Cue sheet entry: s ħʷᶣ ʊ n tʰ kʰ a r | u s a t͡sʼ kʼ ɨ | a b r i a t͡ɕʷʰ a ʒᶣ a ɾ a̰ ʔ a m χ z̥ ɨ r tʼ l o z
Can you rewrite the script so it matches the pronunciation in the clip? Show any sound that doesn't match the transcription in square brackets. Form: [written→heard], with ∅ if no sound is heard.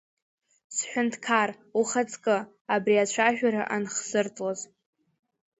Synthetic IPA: s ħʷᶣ ʊ n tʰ kʰ a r | u [s→χ] a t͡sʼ kʼ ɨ | a b r i a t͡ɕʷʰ a ʒᶣ a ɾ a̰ ʔ a [m→n] χ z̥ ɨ r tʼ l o z

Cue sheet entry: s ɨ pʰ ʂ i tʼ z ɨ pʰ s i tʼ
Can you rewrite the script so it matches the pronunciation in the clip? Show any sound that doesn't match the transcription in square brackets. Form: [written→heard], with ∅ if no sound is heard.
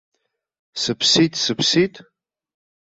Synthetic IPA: s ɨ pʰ [ʂ→s] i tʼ [z→s] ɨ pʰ s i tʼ

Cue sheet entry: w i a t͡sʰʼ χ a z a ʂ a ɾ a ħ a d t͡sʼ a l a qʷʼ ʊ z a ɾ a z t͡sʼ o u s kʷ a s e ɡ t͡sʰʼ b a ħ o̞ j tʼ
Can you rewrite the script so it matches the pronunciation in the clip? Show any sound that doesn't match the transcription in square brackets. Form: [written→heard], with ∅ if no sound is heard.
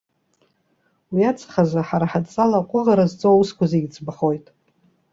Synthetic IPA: w i a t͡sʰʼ χ a z a [ʂ→ħ] a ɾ a ħ a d t͡sʼ a l a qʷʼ ʊ [z→ʁ] a ɾ a z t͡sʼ o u s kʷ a [s→z] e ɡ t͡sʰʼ b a ħ o̞ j tʼ

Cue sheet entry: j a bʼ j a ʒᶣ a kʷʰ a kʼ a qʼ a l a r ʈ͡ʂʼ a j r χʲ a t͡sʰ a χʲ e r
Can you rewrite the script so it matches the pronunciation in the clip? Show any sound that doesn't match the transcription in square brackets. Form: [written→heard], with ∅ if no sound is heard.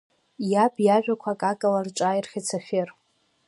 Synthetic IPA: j a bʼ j a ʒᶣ a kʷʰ a kʼ a [qʼ→kʼ] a l a r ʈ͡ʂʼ a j r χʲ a t͡sʰ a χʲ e r

